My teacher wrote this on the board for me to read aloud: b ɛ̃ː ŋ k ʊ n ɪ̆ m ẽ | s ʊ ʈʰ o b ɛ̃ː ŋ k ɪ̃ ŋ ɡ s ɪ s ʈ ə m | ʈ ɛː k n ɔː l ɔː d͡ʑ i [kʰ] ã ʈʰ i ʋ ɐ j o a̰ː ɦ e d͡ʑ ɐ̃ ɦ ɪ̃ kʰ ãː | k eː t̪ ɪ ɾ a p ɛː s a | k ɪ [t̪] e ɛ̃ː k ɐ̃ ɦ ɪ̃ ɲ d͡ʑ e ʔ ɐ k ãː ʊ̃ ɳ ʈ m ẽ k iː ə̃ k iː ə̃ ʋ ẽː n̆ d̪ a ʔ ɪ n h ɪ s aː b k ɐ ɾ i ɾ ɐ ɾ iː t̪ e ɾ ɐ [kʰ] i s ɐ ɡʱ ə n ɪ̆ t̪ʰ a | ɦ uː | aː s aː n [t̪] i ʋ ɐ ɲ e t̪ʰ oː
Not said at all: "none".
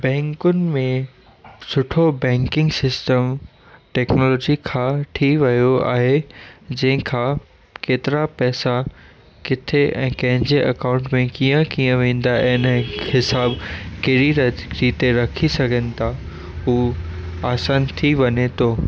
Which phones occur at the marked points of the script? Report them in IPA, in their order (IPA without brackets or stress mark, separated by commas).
kʰ, t̪ʰ, kʰ, t̪ʰ